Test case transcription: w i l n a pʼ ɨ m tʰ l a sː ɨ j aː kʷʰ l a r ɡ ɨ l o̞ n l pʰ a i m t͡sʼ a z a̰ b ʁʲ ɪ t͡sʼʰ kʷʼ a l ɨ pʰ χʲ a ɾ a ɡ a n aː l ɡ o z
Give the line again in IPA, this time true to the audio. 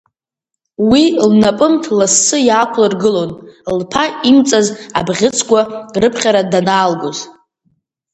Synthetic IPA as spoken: w i l n a pʼ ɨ m tʰ l a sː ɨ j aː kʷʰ l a r ɡ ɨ l o̞ n l pʰ a i m t͡sʼ a z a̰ b ʁʲ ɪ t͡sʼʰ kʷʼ a r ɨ pʰ χʲ a ɾ a d a n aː l ɡ o z

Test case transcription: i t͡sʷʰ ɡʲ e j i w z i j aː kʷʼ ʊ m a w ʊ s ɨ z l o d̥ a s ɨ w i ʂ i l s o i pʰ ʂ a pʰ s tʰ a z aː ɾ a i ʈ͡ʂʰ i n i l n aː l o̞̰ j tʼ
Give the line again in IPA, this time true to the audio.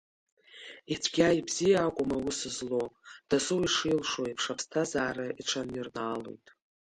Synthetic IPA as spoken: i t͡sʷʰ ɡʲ a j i b z i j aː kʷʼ ʊ m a w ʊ s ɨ z l o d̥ a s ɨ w i ʂ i l ʂ o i pʰ ʂ a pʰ s tʰ a z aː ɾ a i ʈ͡ʂʰ a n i r n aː l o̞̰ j tʼ

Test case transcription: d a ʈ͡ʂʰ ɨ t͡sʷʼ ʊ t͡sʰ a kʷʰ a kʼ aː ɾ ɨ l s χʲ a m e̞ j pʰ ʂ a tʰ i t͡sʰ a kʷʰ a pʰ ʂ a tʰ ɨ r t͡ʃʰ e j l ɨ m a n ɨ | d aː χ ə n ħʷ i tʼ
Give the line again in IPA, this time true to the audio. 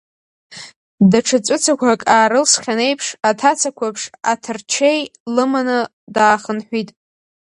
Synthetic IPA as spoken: d a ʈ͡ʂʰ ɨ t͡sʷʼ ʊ t͡sʰ a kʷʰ a kʼ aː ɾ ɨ l s χʲ a n e̞ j pʰ ʂ a tʰ a t͡sʰ a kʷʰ a pʰ ʂ a tʰ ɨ r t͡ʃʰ e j l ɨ m a n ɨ | d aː χ ə n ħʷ i tʼ

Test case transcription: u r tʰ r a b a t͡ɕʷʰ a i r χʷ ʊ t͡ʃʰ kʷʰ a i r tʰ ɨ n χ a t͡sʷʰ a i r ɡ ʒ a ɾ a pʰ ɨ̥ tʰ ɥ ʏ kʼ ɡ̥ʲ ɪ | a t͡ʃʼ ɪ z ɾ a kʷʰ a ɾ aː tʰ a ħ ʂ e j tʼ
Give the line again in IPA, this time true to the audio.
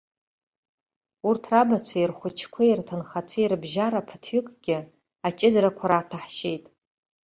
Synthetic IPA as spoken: u r tʰ r a b a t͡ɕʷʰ a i r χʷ ʊ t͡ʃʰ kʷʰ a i r tʰ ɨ n χ a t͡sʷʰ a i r b ʒ a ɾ a pʰ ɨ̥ tʰ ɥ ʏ kʼ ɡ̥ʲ ɪ | a t͡ʃʼ ɪ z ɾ a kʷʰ a ɾ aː tʰ a ħ ʃ e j tʼ

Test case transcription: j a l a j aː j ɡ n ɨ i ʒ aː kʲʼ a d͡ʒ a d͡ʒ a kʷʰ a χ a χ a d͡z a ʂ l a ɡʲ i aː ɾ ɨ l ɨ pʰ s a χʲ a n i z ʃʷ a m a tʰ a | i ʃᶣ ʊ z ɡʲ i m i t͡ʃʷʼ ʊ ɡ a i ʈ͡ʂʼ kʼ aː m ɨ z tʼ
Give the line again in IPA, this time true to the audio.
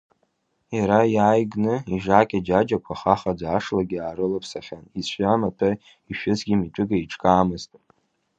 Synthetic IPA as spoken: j a ɾ a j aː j ɡ n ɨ i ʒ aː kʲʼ a d͡ʒ a d͡ʒ a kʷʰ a χ a χ a d͡z a ʂ l a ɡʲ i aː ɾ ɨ l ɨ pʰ s a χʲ a n i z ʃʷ a m a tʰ a | i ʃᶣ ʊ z ɡʲ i m i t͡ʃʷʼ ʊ ɡ a i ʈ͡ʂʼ kʼ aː m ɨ z tʼ

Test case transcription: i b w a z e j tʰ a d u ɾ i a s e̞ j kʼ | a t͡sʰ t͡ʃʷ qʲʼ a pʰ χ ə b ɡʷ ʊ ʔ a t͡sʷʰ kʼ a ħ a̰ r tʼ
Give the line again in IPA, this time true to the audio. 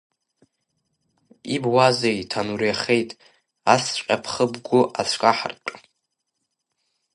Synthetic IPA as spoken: i b w a z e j tʰ a n u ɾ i a χ e̞ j tʼ | a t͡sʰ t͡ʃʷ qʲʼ a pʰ χ ə b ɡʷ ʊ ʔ a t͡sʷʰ kʼ a ħ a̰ r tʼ

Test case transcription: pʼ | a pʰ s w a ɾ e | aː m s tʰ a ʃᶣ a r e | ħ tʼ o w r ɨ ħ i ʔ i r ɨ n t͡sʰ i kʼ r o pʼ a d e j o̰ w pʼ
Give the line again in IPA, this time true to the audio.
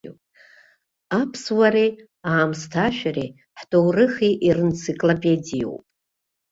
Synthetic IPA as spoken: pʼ | a pʰ s w a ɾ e | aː m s tʰ a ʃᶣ a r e | ħ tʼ o w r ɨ χ i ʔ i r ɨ n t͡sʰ i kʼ l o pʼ e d i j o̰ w pʼ

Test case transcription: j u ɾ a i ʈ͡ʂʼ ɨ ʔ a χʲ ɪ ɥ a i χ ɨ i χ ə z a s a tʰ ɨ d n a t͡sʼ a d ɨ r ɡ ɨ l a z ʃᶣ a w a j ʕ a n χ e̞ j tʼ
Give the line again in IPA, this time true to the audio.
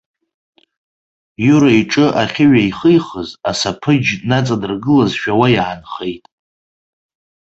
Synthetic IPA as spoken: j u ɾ a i ʈ͡ʂʼ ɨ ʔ a χʲ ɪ ɥ a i χ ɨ j χ ə z a s a pʰ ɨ d͡ʒ n a t͡sʼ a d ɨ r ɡ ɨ l a z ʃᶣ a w a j ʕ a n χ e̞ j tʼ

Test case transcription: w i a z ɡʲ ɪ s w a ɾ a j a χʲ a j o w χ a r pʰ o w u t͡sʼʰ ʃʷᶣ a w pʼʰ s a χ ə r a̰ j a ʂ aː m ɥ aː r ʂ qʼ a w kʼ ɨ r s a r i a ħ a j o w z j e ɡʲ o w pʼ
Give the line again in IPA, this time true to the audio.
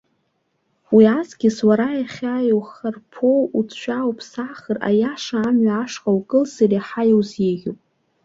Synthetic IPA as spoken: w i a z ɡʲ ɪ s w a ɾ a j a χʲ a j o w χ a r pʰ o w u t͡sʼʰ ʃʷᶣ a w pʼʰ s a χ ə r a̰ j a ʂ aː m ɥ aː ʂ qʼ a w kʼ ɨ l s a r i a ħ a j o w z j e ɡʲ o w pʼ

